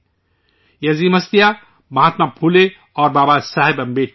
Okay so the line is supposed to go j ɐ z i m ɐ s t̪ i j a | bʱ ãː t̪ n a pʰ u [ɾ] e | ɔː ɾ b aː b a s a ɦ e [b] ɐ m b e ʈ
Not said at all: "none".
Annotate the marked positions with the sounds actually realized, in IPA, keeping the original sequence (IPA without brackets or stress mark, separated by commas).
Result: l, b